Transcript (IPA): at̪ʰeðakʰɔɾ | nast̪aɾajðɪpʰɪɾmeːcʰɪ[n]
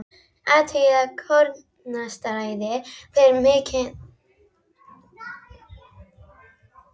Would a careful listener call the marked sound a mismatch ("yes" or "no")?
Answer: no